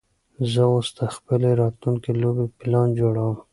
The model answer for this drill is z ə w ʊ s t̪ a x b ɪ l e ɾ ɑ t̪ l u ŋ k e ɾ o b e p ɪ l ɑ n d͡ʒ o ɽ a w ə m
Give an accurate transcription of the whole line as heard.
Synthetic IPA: z ə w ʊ s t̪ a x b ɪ l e ɾ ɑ t̪ l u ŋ k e l o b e p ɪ l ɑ n d͡ʒ o ɽ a w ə m